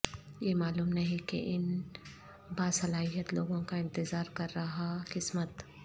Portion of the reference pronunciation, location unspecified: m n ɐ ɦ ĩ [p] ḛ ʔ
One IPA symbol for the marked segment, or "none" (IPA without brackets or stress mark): k